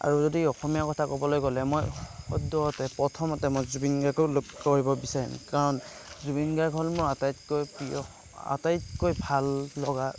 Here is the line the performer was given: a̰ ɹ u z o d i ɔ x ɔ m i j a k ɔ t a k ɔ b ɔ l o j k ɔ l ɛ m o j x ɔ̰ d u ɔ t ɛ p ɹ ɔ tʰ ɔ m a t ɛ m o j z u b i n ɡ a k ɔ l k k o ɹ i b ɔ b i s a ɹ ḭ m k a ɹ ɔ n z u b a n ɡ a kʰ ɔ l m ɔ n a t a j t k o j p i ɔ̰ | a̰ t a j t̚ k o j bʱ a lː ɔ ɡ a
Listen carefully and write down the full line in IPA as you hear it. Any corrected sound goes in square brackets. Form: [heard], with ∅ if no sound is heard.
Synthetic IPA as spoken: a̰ ɹ u z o d i ɔ x ɔ m i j a k ɔ [tʰ] a k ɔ b ɔ l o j k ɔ l ɛ m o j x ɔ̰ d [ɔ] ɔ t ɛ p ɹ ɔ tʰ ɔ m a t ɛ m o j z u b i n ɡ a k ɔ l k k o ɹ i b ɔ b i s a ɹ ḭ m k a ɹ ɔ n z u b [i] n ɡ a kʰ ɔ l m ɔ [∅] a t a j t k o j p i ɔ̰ | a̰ t a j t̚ k o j bʱ a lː ɔ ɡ a